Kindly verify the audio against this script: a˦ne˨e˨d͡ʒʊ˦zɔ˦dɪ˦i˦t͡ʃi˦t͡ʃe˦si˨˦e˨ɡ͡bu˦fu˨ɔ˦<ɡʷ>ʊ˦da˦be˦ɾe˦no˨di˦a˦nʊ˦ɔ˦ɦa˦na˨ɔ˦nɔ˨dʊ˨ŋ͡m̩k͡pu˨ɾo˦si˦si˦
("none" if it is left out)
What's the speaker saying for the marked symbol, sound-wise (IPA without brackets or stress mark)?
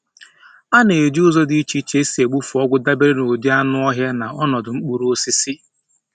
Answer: ɡʷ